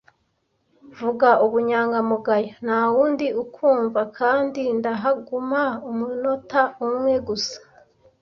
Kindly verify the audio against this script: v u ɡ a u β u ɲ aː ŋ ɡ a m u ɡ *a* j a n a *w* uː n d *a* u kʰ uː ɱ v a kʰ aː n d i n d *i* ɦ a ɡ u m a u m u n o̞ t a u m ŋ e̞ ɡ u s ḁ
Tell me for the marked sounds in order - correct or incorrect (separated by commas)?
correct, correct, incorrect, incorrect